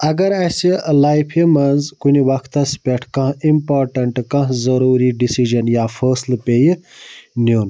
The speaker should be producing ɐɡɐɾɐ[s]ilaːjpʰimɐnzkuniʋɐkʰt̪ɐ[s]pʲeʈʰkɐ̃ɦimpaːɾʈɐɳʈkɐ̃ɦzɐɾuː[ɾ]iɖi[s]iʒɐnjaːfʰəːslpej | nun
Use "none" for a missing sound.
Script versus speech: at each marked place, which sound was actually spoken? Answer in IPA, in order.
s, s, ɾ, s

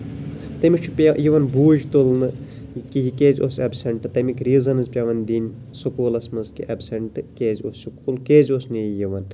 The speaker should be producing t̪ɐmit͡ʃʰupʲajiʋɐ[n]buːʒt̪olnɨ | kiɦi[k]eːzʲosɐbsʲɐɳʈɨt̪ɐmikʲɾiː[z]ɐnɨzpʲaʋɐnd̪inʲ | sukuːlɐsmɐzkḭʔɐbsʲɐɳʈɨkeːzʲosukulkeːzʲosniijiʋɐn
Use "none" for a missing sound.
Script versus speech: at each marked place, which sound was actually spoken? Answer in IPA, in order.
n, k, z

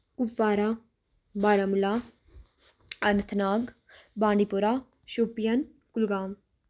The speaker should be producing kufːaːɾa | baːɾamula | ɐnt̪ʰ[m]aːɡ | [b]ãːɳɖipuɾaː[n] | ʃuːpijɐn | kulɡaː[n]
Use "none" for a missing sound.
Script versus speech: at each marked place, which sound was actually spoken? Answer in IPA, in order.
n, b, none, m

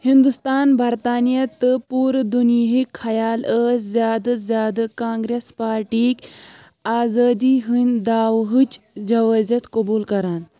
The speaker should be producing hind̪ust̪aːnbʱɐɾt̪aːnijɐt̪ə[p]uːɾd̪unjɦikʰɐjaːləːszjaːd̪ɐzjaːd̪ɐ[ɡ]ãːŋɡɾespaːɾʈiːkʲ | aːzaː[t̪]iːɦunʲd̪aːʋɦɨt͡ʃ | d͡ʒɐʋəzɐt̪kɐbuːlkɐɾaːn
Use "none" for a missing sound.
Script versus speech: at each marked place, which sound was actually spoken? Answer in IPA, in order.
p, k, d̪

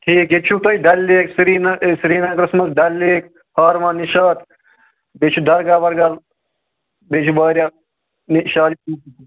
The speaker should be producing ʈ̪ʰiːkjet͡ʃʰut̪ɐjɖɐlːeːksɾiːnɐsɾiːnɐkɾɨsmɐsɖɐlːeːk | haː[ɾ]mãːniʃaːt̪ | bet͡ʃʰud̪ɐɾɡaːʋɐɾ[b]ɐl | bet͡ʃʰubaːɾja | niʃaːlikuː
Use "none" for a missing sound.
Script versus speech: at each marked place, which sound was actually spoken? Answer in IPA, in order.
ɾ, ɡ

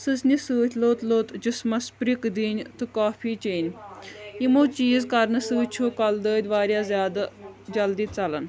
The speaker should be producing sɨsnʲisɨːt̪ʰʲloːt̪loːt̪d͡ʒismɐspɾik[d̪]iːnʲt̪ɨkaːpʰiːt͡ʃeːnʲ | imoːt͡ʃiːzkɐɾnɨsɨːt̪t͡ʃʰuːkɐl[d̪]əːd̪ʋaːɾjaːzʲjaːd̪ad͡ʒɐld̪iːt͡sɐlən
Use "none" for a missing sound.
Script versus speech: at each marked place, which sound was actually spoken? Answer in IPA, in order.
d̪, d̪

